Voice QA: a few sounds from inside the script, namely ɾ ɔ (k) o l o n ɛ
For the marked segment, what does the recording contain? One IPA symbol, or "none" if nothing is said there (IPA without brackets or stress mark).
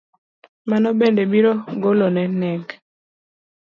ɡ